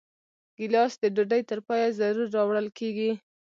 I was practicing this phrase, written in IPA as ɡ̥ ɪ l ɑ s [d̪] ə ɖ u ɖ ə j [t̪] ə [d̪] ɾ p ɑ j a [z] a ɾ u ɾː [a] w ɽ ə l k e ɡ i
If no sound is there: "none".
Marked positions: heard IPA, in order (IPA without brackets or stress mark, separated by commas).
d̪, t̪, none, z, ɑ